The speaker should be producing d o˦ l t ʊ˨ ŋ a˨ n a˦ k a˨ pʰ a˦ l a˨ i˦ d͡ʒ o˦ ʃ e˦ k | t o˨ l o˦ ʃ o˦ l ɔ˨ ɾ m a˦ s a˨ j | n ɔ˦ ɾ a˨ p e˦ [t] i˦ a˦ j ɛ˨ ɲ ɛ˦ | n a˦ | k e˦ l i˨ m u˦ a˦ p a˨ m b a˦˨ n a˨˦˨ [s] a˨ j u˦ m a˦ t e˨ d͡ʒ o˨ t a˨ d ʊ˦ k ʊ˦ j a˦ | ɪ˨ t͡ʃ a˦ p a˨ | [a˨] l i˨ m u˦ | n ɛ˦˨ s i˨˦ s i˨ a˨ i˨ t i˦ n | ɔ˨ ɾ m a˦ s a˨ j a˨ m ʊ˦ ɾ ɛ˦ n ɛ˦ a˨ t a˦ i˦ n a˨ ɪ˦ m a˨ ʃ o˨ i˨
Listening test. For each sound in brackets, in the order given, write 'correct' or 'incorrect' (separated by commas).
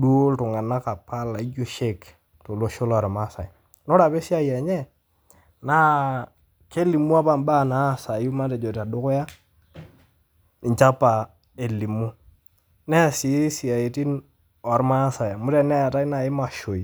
incorrect, correct, incorrect